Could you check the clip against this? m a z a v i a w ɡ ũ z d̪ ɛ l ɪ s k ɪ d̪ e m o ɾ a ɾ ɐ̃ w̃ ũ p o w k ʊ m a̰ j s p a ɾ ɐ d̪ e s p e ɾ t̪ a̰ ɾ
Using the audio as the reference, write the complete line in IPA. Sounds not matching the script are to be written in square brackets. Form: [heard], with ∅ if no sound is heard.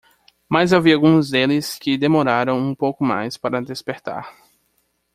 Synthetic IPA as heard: m a z a v i a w ɡ ũ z d̪ [e] l ɪ s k ɪ d̪ e m o ɾ a ɾ ɐ̃ w̃ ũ p o w k ʊ m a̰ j s p a ɾ ɐ d̪ e s p e ɾ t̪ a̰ ɾ